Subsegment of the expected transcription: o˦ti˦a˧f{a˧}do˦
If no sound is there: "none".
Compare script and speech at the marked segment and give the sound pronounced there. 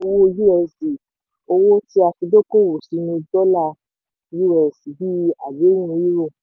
i˧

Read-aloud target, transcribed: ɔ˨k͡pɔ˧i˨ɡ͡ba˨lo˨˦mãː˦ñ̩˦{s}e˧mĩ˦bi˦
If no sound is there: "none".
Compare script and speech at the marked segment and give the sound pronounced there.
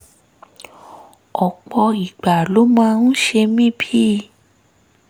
ʃ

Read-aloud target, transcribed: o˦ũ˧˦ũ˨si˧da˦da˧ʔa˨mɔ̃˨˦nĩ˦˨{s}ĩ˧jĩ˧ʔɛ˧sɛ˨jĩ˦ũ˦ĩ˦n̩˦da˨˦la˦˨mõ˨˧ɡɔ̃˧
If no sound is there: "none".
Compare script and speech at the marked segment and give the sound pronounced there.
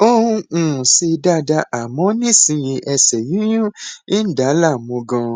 s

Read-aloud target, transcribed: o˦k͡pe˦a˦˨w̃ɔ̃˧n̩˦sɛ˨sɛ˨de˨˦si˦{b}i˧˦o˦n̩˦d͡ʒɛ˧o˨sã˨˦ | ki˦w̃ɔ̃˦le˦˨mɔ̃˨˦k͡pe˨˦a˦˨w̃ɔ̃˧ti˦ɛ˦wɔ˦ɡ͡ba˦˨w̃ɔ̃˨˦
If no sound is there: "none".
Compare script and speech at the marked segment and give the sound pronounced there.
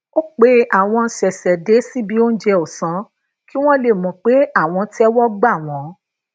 b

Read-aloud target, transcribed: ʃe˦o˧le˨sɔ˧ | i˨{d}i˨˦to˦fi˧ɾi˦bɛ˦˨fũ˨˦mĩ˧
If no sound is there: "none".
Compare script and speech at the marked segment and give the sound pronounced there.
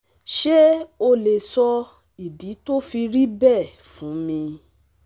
d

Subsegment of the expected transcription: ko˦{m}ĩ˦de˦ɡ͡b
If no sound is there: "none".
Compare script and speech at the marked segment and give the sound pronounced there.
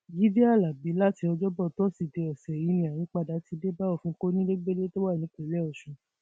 n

